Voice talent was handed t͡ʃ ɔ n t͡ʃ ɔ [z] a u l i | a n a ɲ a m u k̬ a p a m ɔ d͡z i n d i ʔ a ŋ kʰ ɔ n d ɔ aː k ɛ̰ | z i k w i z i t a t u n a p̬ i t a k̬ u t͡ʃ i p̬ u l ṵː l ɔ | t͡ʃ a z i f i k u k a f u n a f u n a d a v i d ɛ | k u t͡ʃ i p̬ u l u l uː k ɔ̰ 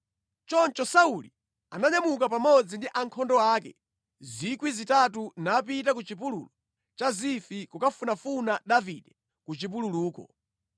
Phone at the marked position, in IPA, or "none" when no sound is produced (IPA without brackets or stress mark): s